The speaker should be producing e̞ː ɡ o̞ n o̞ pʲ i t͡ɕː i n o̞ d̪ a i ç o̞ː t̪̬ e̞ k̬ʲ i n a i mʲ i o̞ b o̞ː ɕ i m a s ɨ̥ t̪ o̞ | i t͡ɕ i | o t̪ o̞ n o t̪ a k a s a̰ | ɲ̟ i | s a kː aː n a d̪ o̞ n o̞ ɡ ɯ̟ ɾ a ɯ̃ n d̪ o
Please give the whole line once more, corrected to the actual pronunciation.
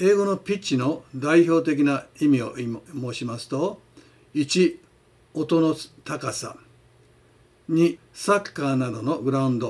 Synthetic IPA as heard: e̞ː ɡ o̞ n o̞ pʲ i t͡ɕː i n o̞ d̪ a i ç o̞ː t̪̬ e̞ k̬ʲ i n a i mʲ i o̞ m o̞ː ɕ i m a s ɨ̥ t̪ o̞ | i t͡ɕ i | o t̪ o̞ n o t̪ a k a s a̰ | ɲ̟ i | s a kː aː n a d̪ o̞ n o̞ ɡ ɯ̟ ɾ a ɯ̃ n d̪ o